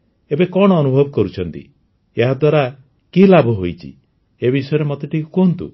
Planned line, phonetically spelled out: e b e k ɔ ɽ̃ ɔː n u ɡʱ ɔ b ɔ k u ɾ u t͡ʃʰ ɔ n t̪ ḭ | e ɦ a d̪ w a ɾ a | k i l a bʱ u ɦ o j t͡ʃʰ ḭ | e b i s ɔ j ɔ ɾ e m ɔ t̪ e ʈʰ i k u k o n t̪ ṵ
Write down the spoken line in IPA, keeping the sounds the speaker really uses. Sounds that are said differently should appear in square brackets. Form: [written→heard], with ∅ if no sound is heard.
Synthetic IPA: e b e k ɔ ɽ̃ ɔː n u [ɡʱ→bʱ] ɔ b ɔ k [u→ɔ] ɾ u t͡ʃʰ ɔ n t̪ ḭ | e ɦ a d̪ w a ɾ a | k i l a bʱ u ɦ o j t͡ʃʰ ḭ | e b i s ɔ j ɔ ɾ e m ɔ t̪ e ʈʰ i k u k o n t̪ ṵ